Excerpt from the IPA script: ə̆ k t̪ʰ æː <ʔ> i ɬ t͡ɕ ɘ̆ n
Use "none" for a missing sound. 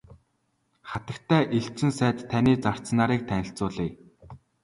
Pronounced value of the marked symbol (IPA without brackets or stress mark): ʔ